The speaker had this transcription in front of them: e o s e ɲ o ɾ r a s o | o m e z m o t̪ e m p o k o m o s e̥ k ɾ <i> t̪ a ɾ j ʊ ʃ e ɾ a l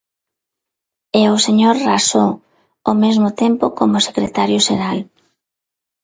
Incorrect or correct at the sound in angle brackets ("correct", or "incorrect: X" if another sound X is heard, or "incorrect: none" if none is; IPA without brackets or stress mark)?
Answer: incorrect: e